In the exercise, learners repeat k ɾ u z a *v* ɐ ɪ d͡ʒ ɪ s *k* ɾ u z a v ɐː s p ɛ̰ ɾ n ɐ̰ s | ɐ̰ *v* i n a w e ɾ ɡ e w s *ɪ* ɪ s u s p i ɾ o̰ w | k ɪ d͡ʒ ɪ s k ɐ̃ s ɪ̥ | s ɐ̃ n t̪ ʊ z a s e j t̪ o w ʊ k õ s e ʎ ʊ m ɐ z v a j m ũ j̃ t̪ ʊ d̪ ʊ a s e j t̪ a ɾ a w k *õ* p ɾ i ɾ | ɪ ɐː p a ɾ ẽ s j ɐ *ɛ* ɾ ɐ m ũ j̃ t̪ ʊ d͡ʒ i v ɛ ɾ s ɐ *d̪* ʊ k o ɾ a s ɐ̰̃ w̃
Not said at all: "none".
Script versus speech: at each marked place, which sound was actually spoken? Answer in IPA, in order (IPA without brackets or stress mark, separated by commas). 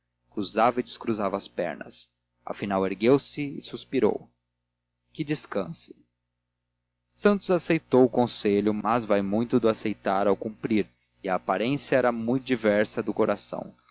v, k, f, ɪ, ũ, ɛ, d̪